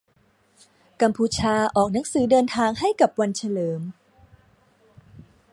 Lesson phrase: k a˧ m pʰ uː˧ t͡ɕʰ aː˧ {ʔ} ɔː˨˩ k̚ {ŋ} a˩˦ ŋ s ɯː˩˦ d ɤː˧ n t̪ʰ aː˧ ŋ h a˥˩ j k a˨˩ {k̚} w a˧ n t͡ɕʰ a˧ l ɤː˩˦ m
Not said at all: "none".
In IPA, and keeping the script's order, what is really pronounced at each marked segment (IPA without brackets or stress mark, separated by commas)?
ʔ, n, p̚